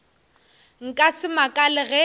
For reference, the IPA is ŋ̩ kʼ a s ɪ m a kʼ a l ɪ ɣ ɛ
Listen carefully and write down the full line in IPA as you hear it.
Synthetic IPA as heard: ŋ̩ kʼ a s ɪ m a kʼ a l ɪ ɣ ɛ